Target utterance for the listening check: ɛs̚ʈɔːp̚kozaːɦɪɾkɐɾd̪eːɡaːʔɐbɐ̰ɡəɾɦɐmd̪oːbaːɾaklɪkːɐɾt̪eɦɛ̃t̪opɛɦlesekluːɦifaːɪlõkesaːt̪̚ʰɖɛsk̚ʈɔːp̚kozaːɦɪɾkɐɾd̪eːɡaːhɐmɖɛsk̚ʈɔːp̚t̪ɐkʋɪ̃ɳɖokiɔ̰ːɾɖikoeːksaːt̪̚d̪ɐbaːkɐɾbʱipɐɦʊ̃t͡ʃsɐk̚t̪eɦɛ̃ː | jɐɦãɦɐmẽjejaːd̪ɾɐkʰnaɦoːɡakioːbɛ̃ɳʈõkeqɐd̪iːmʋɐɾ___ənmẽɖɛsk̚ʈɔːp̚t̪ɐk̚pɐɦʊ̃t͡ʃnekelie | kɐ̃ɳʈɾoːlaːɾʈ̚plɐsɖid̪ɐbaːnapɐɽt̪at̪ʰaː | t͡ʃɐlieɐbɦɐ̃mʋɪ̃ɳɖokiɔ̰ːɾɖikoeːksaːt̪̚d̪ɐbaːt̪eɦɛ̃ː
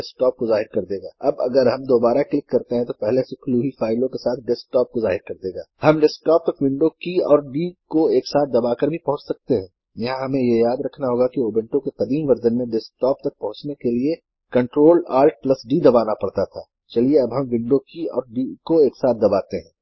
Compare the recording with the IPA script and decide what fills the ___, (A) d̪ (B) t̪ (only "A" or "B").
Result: A